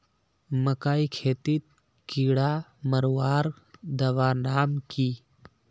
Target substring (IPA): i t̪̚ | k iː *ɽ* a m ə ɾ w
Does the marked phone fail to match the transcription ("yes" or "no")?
no